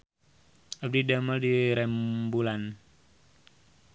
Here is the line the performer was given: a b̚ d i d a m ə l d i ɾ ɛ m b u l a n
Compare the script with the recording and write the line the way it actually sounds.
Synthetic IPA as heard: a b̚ d i d a m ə l d i ɾ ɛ m b u l a n